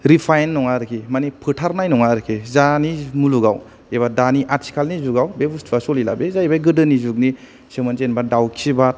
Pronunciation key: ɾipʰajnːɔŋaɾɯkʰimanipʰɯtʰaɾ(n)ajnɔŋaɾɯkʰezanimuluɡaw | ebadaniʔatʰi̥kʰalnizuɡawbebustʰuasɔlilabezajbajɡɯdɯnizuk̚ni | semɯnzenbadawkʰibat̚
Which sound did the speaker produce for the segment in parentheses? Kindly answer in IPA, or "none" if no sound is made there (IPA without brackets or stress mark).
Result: n